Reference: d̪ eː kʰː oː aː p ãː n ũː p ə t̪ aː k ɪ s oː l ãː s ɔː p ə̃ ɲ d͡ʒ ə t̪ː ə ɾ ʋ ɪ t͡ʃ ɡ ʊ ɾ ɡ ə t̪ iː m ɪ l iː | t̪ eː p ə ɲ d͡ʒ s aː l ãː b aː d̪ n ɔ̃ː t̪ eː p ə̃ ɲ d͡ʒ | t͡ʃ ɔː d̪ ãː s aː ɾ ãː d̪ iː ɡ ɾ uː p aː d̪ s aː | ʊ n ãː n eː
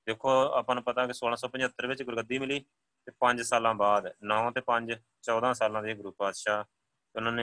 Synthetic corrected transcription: d̪ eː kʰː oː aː p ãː n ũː p ə t̪ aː k ɪ s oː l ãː s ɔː p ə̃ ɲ d͡ʒ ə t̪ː ə ɾ ʋ ɪ t͡ʃ ɡ ʊ ɾ ɡ ə d̪ iː m ɪ l iː | t̪ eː p ə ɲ d͡ʒ s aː l ãː b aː d̪ n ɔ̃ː t̪ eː p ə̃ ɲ d͡ʒ | t͡ʃ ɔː d̪ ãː s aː l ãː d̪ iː ɡ ɾ uː p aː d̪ ʃ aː | ʊ n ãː n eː